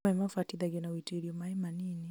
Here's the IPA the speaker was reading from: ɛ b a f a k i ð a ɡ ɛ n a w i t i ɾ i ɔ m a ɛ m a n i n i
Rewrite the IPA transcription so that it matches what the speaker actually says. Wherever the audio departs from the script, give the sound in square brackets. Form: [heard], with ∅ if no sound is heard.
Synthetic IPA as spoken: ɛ [m] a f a [t] i ð a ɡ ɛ n a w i t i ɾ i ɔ m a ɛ m a n i n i